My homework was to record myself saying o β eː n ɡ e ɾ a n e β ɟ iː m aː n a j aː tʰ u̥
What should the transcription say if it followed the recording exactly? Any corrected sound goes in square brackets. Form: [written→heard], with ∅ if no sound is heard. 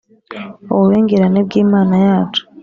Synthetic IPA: o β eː [n→ŋ] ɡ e ɾ a n e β [ɟ→ɡ] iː m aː n a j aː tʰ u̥